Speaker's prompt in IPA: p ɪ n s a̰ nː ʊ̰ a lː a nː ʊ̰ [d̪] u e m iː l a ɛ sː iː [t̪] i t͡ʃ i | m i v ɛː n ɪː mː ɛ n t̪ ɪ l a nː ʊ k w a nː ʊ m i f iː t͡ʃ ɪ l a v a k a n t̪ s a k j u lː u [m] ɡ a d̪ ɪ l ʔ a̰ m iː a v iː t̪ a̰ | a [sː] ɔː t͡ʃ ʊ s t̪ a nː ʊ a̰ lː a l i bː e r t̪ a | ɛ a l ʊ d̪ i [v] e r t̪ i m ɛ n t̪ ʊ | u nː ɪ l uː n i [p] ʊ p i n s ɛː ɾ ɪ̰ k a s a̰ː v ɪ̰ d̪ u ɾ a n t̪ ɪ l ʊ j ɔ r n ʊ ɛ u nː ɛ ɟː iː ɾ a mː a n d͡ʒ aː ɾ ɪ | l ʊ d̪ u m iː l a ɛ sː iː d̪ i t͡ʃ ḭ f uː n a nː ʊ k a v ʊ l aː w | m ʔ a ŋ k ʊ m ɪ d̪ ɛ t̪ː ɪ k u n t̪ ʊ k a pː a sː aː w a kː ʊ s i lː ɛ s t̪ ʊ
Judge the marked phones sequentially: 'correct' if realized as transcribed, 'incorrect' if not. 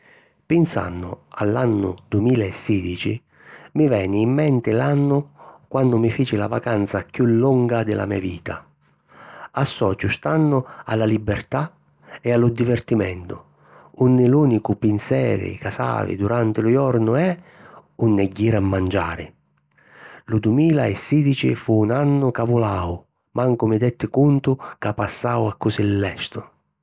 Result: correct, incorrect, incorrect, correct, correct, incorrect

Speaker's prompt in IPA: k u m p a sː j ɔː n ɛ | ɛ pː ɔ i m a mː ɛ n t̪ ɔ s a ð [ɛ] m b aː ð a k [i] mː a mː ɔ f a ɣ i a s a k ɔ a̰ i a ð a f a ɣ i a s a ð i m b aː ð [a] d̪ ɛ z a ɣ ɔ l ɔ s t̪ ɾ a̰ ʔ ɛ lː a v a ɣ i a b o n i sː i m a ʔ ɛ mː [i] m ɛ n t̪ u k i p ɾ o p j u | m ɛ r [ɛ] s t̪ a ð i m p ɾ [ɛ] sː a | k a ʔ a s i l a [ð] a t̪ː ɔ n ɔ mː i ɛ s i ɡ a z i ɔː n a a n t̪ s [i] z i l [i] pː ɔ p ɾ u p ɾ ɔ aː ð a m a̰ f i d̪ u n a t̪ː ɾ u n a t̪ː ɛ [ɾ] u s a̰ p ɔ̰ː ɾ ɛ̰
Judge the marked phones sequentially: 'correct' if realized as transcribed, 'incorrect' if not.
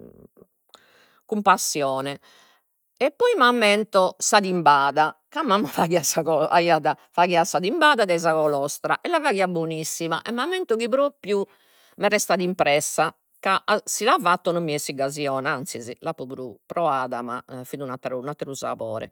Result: incorrect, incorrect, correct, incorrect, correct, correct, incorrect, correct, incorrect, correct

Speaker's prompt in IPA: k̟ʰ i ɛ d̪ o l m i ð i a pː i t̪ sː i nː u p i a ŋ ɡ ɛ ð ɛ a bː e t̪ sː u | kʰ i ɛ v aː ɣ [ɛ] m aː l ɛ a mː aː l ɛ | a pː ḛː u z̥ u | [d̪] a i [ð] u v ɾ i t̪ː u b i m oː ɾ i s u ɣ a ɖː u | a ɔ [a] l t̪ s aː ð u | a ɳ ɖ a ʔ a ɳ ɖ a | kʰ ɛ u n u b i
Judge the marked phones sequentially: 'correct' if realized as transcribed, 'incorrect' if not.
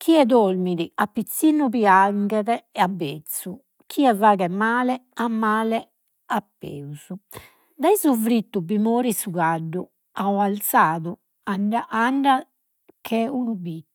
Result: correct, correct, incorrect, correct

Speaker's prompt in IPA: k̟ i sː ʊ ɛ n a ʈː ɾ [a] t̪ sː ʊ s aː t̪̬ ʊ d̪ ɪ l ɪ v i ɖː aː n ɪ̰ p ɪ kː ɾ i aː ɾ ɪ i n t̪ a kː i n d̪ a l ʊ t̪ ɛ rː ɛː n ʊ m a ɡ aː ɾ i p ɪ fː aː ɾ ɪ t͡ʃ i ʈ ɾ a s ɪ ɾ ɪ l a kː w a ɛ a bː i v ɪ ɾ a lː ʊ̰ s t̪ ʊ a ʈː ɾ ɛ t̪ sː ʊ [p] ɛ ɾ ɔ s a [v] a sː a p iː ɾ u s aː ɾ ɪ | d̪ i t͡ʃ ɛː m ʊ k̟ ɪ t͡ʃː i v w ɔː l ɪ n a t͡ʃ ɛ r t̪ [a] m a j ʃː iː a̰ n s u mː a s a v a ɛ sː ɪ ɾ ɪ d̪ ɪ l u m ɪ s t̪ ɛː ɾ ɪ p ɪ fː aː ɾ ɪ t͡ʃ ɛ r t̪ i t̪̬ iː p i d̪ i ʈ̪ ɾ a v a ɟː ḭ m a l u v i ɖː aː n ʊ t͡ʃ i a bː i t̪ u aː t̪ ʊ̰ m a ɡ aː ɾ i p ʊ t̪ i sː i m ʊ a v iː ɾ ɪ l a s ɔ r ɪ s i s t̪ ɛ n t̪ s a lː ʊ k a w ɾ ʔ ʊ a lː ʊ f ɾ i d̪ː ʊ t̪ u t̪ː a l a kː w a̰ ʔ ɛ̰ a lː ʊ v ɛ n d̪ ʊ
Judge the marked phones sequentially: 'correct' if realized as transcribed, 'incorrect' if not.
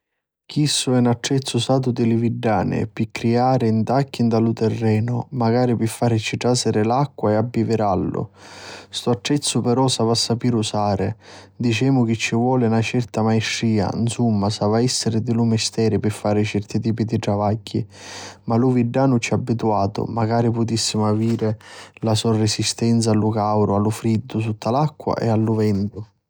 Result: incorrect, correct, correct, correct

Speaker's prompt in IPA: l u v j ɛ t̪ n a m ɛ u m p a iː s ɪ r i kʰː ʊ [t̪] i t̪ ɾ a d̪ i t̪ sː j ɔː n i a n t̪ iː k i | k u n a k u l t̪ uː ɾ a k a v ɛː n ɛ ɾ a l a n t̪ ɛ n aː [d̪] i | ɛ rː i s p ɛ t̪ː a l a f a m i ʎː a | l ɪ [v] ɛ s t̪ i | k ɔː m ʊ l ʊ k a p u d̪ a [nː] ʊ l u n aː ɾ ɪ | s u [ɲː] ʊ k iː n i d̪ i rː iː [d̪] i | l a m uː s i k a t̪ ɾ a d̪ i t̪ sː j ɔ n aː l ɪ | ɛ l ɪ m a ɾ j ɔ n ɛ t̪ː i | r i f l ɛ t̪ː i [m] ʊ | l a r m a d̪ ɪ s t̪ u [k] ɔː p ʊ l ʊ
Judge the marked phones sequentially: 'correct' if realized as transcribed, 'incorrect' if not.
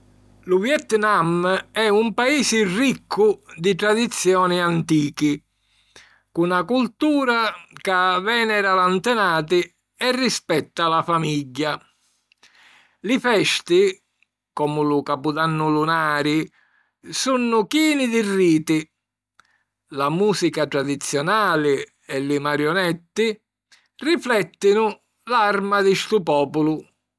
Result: incorrect, incorrect, incorrect, correct, incorrect, incorrect, incorrect, incorrect

